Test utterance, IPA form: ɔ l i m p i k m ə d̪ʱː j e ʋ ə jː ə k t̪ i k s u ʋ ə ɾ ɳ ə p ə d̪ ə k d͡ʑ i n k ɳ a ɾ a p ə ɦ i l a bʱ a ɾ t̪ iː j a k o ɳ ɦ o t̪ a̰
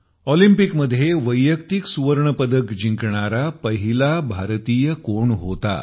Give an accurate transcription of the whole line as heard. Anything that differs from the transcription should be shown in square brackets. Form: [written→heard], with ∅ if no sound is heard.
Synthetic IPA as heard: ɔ l i m p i k m ə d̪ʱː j e ʋ ə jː ə k t̪ i k s u ʋ ə ɾ ɳ ə p ə d̪ ə k d͡ʑ i [n→ŋ] k ɳ a ɾ a p ə ɦ i l a bʱ a ɾ t̪ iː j [a→ə] k o ɳ ɦ o t̪ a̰

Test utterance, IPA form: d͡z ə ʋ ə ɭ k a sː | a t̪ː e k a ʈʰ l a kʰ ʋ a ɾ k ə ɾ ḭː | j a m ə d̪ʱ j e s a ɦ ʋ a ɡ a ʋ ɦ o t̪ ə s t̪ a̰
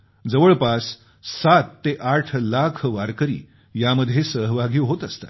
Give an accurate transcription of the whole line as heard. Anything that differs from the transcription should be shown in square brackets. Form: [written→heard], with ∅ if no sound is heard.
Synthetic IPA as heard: d͡z ə ʋ ə ɭ [k→p] a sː | a t̪ː e [k→ʔ] a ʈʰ l a kʰ ʋ a ɾ k ə ɾ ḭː | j a m ə d̪ʱ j e s [a→ə] ɦ ʋ a ɡ [a→i] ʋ ɦ o t̪ ə s t̪ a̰

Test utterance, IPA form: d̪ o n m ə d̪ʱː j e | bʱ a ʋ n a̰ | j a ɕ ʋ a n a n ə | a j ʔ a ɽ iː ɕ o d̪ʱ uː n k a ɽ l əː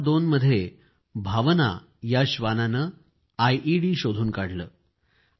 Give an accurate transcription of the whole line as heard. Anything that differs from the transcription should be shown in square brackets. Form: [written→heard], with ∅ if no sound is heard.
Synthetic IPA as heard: d̪ o n m ə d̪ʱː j e | bʱ a ʋ n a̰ | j a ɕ ʋ a n a n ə | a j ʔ [a→i] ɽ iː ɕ o d̪ʱ uː n k a ɽ l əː

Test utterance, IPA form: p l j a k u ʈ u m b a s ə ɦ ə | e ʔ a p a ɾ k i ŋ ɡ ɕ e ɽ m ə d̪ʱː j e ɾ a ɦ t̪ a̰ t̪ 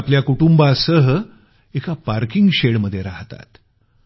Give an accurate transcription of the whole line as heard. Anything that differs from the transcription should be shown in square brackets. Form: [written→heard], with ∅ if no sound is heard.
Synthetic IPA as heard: p l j a k u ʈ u m b a s ə ɦ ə | e [ʔ→k] a p a ɾ k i ŋ ɡ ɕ e ɽ m ə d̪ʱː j e ɾ a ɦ t̪ a̰ t̪

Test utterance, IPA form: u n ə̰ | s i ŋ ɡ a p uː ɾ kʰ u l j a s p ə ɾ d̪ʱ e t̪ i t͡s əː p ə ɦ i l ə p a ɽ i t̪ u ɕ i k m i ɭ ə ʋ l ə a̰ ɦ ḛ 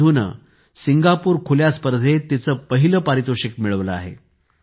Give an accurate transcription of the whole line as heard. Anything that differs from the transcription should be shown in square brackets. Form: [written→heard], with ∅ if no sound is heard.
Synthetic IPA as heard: u n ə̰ | s i ŋ ɡ a p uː ɾ kʰ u l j a s p ə ɾ d̪ʱ e t̪ i t͡s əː p ə ɦ i l ə p a [ɽ→ɾ] i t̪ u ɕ i k m i ɭ ə ʋ l ə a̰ ɦ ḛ

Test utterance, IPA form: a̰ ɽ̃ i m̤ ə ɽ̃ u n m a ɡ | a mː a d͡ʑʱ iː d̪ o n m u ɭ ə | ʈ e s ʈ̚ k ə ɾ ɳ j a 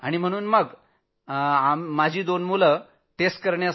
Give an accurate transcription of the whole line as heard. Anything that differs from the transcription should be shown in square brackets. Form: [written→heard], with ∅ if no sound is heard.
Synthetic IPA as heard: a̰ ɽ̃ i m̤ ə ɽ̃ [u→uː] n m [a→ə] ɡ | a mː a d͡ʑʱ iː d̪ o n m u [ɭ→l] ə | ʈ e s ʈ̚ k ə ɾ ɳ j a

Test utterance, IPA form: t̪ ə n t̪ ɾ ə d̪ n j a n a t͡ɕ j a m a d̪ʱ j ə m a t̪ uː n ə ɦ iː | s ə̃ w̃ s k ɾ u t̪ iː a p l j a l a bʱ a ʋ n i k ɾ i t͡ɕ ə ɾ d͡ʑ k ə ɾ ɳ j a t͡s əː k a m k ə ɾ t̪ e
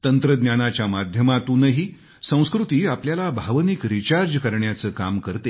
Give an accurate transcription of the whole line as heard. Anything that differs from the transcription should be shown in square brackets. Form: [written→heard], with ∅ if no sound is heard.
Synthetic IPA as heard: t̪ ə n t̪ ɾ ə d̪ n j a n a t͡ɕ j a m a d̪ʱ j ə m a t̪ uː n ə ɦ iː | s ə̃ w̃ s k ɾ u t̪ iː a p l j a l a bʱ a ʋ n i k ɾ i t͡ɕ [ə→a] ɾ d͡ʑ k ə ɾ ɳ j a t͡s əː k a m k ə ɾ t̪ e

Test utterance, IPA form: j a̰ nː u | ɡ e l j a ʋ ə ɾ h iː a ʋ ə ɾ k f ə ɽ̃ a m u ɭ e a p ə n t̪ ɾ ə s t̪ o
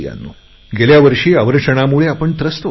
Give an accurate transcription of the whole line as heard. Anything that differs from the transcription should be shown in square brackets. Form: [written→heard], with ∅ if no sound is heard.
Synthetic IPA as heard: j a̰ nː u | ɡ e l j a ʋ ə ɾ [h→ʂ] iː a ʋ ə ɾ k [f→ʂ] ə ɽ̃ a m u ɭ e a p ə [n→ɳ] t̪ ɾ ə s t̪ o

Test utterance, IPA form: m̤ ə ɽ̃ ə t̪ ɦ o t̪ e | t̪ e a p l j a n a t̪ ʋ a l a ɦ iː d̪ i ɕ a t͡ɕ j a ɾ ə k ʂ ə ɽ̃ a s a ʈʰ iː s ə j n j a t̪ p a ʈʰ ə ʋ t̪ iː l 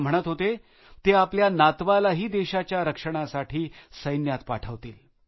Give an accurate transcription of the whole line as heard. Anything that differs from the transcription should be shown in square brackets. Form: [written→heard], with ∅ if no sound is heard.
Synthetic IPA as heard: m̤ ə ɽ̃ ə t̪ ɦ o t̪ e | t̪ e a p l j a n a t̪ ʋ a l a ɦ iː d̪ [i→e] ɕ a t͡ɕ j a ɾ ə k ʂ ə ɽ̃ a s a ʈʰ iː s ə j n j a t̪ p a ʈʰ ə ʋ t̪ iː l

